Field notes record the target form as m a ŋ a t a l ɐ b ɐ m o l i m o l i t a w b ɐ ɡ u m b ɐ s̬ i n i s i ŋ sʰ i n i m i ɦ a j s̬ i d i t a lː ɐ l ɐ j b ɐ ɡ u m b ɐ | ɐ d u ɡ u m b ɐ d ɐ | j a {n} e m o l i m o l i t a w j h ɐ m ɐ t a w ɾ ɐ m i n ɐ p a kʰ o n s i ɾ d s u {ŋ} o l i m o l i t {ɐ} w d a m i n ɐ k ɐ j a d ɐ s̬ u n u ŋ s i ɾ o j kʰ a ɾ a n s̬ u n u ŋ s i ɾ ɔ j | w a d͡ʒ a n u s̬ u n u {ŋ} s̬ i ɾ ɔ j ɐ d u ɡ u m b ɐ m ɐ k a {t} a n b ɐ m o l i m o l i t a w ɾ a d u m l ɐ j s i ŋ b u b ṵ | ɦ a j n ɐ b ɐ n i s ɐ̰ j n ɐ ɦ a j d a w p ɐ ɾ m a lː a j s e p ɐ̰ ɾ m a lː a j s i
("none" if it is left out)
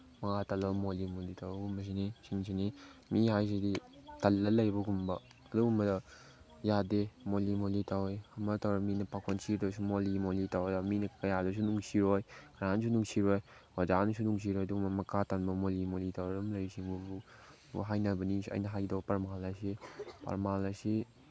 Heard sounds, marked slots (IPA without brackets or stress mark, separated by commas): d, m, a, ŋ, t